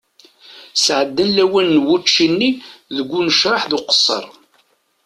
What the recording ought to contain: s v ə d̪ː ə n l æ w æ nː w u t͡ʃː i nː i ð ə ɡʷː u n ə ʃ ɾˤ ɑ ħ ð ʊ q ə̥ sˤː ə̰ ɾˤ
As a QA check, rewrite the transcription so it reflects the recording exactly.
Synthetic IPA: s ʕ ə d̪ː ə n l æ w æ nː w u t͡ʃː i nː i ð ə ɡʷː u n ə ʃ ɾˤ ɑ ħ ð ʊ q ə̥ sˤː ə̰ ɾˤ